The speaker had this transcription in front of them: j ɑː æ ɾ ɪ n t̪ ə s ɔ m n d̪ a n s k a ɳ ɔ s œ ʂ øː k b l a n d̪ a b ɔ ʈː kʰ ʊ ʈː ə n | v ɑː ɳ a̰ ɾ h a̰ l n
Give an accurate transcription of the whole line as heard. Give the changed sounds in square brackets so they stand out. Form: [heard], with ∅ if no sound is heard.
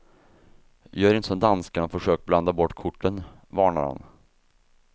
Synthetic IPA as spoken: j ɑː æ ɾ ɪ n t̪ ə s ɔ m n d̪ a n s k a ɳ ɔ [f] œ ʂ øː k b l a n d̪ a b ɔ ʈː kʰ ʊ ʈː ə n | v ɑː ɳ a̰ ɾ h a̰ [∅] n